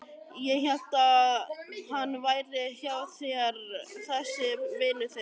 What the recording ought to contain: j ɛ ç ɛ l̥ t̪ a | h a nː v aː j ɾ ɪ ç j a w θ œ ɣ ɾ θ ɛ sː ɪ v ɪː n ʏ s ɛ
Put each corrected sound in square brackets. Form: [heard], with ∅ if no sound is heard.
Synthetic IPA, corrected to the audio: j ɛ ç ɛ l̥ t̪ a | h a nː v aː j ɾ ɪ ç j a w θ [ɛ] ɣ ɾ θ ɛ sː ɪ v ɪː n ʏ [θ] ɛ